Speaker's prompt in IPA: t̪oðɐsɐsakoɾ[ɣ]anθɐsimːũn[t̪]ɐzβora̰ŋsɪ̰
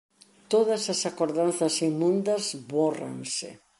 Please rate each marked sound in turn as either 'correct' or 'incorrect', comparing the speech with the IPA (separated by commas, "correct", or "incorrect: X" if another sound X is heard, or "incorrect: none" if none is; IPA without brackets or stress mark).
incorrect: ð, incorrect: d̪